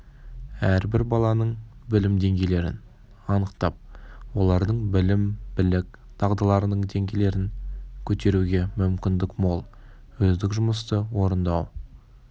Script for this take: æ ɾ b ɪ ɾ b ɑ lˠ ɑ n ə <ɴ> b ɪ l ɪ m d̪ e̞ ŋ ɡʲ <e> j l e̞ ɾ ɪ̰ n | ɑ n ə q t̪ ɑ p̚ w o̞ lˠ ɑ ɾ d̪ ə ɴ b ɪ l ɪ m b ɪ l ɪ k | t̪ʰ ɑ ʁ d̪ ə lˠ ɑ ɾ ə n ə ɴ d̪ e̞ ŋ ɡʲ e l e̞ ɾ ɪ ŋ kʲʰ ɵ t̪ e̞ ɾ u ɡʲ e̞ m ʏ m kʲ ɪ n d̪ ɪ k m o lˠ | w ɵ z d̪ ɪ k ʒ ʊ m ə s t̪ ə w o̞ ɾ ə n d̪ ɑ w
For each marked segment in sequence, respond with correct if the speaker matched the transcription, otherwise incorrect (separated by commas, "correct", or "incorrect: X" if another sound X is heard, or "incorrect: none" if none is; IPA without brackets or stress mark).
correct, correct